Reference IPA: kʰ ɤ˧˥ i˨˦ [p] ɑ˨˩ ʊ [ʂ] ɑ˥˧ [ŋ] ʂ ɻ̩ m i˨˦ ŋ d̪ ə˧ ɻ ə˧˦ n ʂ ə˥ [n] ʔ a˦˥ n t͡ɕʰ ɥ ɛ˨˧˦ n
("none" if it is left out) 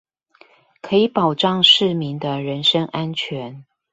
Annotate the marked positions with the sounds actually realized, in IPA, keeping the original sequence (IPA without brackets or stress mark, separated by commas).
p, ʈ͡ʂ, ŋ, ŋ